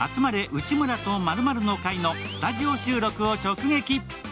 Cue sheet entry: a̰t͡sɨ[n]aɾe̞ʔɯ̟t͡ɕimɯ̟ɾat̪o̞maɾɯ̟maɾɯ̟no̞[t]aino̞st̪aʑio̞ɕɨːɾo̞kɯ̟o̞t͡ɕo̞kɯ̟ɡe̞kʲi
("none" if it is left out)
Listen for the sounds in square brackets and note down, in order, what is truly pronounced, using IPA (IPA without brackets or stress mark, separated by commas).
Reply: m, k